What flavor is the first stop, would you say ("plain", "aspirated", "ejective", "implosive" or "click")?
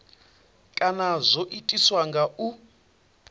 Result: ejective